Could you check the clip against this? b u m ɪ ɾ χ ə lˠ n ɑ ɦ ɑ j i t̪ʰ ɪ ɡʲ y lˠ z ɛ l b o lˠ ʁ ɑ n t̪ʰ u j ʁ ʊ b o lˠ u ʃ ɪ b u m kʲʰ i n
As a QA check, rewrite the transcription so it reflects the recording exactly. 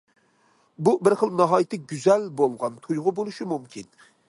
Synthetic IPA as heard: b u b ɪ ɾ χ ə lˠ n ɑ ɦ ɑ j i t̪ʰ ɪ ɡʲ y z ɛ l b o lˠ ʁ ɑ n t̪ʰ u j ʁ ʊ b o lˠ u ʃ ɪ m u m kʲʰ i n

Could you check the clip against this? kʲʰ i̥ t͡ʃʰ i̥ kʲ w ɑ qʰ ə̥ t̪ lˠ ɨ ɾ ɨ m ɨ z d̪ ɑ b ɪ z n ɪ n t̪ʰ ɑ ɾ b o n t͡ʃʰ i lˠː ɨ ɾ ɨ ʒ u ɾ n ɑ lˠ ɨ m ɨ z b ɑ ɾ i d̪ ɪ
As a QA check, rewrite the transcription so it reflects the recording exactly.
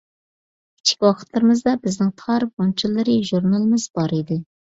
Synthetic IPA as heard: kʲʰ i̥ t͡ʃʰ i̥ kʲ w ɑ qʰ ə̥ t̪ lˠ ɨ ɾ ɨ m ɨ z d̪ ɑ b ɪ z n ɪ ŋ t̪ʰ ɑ ɾ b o n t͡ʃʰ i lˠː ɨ ɾ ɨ ʒ u ɾ n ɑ lˠ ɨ m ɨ z b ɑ ɾ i d̪ ɪ

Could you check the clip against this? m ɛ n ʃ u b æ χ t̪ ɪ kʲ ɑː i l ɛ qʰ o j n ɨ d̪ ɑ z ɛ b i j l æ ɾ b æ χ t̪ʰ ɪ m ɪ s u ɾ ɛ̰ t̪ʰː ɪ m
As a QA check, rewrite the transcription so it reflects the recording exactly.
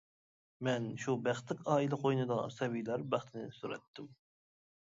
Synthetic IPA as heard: m ɛ n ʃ u b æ χ t̪ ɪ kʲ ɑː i l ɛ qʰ o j n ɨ d̪ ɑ s ɛ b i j l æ ɾ b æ χ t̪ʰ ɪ n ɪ s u ɾ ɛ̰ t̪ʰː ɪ m

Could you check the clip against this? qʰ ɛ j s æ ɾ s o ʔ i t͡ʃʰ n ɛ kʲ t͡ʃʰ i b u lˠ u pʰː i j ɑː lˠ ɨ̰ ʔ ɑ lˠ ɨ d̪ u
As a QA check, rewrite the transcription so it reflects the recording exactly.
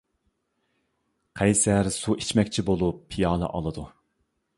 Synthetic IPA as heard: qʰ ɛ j s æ ɾ s u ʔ i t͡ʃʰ m ɛ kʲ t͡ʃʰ i b o lˠ u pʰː i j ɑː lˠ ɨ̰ ʔ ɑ lˠ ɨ d̪ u

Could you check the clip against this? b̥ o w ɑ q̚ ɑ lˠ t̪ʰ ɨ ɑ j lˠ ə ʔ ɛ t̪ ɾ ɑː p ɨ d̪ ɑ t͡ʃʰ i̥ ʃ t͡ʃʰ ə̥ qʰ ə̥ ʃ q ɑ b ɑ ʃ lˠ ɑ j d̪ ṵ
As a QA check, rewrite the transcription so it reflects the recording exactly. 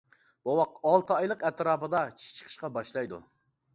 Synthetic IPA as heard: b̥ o w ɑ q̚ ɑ lˠ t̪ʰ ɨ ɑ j lˠ ə q ɛ t̪ ɾ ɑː p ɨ d̪ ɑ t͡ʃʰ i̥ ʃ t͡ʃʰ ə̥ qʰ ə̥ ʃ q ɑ b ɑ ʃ lˠ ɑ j d̪ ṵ

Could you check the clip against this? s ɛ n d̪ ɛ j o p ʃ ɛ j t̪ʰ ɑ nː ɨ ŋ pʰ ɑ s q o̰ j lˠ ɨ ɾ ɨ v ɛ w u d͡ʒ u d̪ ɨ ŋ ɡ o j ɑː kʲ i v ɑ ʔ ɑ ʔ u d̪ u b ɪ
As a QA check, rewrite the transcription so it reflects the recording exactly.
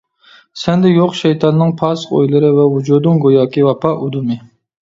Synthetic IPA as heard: s ɛ n d̪ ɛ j o q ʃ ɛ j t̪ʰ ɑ nː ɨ ŋ pʰ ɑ s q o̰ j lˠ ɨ ɾ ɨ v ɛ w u d͡ʒ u d̪ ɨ ŋ ɡ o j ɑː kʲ i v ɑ p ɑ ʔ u d̪ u m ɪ

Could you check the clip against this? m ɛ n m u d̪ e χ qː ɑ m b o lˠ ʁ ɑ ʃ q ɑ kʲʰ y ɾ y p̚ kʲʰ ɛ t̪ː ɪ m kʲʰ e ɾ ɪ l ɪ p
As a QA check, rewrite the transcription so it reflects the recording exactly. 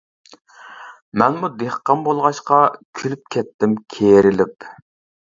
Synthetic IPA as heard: m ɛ n m u d̪ e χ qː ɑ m b o lˠ ʁ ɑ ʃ q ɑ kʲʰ y l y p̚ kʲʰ ɛ t̪ː ɪ m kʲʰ e ɾ ɪ l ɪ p

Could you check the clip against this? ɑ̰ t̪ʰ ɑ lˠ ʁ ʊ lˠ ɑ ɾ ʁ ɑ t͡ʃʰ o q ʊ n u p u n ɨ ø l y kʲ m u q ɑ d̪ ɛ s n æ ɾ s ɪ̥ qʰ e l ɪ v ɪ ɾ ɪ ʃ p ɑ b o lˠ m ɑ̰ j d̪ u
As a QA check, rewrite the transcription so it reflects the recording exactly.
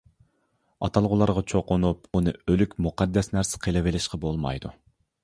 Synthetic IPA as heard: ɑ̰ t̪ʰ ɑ lˠ ʁ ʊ lˠ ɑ ɾ ʁ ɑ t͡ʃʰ o q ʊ n u p u n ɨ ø l y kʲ m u q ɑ d̪ː ɛ s n æ ɾ s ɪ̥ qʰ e l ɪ v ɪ l ɪ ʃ q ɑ b o lˠ m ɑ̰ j d̪ u

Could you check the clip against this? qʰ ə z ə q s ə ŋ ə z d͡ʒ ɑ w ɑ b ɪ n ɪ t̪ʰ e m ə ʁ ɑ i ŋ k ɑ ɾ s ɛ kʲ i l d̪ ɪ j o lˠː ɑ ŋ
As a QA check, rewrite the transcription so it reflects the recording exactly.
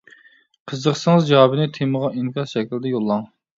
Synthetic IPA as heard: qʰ ə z ə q s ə ŋ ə z d͡ʒ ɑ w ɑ b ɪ n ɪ t̪ʰ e m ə ʁ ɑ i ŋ k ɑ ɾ ʃ ɛ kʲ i l d̪ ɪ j o lˠː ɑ ŋ

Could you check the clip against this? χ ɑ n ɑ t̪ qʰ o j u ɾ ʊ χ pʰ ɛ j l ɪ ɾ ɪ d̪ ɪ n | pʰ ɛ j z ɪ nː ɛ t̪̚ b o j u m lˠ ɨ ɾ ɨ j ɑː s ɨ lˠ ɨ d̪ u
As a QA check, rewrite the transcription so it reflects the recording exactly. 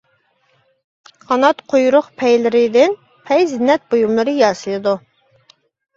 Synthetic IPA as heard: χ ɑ n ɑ t̪ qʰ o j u ɾ ʊ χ pʰ ɛ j l ɪ ɾ ɪ d̪ ɪ n | pʰ ɛ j z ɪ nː ɛ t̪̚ b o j u m lˠ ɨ ɾ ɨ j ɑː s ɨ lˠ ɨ d̪ u

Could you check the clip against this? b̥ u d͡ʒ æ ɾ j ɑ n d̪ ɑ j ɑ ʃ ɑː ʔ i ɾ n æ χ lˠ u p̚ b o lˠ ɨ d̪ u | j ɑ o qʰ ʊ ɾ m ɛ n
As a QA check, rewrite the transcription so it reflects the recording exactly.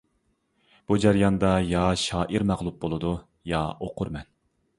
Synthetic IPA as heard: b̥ u d͡ʒ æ ɾ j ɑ n d̪ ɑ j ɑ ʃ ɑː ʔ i ɾ m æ ʁ lˠ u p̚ b o lˠ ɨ d̪ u | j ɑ o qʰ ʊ ɾ m ɛ n

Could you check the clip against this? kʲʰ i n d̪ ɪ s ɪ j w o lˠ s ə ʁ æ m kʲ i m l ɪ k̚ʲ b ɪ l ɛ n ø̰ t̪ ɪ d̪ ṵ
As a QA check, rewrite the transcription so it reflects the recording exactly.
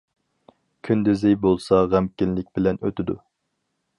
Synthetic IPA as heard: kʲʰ y n d̪ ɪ z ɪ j b o lˠ s ɑ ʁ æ m kʲ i n l ɪ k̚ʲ b ɪ l ɛ n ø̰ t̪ ɪ d̪ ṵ

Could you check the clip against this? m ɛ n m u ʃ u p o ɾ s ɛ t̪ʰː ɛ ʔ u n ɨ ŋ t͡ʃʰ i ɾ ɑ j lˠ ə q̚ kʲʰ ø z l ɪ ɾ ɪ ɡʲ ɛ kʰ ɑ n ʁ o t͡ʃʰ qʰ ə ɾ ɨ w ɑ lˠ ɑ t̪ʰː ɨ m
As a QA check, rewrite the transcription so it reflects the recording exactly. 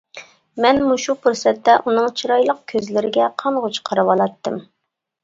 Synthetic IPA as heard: m ɛ n m u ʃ u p u ɾ s ɛ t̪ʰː ɛ ʔ u n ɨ ŋ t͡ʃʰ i ɾ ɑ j lˠ ə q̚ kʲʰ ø z l ɪ ɾ ɪ ɡʲ ɛ qʰ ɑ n ʁ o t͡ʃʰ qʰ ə ɾ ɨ w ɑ lˠ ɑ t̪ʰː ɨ m

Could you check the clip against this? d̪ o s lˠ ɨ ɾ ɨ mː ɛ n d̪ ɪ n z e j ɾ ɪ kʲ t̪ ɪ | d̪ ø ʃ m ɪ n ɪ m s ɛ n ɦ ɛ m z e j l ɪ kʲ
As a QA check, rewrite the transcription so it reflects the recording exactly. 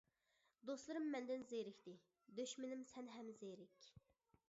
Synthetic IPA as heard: d̪ o s lˠ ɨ ɾ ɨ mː ɛ n d̪ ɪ n z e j ɾ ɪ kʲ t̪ ɪ | d̪ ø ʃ m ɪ n ɪ m s ɛ n ɦ ɛ m z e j ɾ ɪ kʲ

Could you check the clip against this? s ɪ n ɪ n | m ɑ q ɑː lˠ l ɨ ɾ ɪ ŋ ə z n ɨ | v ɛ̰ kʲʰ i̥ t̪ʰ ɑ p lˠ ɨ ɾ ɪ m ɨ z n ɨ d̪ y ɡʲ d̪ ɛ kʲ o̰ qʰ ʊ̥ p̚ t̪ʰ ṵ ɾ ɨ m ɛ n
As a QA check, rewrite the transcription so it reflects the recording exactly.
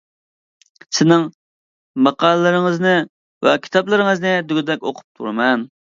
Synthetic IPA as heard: s ɪ n ɪ ŋ | m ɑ q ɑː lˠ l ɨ ɾ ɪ ŋ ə z n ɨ | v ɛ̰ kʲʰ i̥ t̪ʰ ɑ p lˠ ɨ ɾ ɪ ŋ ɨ z n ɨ d̪ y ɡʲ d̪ ɛ kʲ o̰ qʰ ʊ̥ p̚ t̪ʰ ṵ ɾ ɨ m ɛ n

